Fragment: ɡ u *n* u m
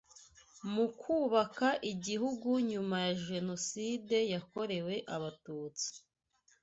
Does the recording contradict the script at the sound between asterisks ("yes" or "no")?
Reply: yes